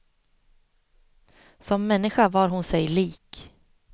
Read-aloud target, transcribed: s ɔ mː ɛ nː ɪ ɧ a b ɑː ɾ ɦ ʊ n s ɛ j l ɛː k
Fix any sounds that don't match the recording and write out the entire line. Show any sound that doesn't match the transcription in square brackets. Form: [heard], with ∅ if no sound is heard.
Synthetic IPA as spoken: s ɔ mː ɛ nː ɪ ɧ a [v] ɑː ɾ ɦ ʊ n s ɛ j l [iː] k